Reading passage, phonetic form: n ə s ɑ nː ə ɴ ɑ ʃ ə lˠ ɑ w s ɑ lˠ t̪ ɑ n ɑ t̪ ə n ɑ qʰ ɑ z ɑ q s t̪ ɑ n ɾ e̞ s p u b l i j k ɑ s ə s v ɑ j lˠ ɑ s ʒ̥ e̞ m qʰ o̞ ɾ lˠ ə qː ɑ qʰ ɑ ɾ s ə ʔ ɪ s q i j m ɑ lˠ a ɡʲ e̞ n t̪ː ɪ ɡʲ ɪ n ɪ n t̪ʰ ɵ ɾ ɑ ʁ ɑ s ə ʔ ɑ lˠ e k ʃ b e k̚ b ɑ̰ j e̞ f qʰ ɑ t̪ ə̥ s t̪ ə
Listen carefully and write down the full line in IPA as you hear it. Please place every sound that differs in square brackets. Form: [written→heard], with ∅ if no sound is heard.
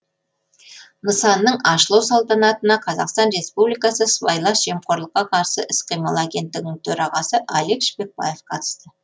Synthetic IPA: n ə s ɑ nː ə ɴ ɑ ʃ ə lˠ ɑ w s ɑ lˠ t̪ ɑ n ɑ t̪ ə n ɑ qʰ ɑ z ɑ q s t̪ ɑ n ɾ e̞ s p u b l i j k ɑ s ə s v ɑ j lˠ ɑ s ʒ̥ e̞ m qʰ o̞ ɾ lˠ ə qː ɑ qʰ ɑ ɾ s ə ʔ ɪ s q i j m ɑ lˠ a ɡʲ e̞ n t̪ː ɪ ɡʲ ɪ n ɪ [n→ŋ] t̪ʰ ɵ ɾ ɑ ʁ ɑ s ə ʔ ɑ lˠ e k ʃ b e k̚ b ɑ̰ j e̞ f qʰ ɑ t̪ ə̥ s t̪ ə